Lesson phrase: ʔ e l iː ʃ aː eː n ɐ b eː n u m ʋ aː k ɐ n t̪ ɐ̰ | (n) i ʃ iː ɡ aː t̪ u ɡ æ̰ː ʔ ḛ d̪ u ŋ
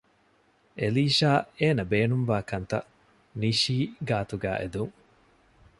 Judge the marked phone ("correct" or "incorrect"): correct